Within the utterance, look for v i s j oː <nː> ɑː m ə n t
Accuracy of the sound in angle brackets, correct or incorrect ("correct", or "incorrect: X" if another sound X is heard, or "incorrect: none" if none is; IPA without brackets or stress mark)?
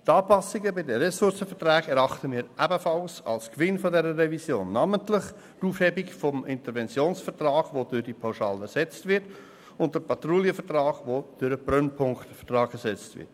correct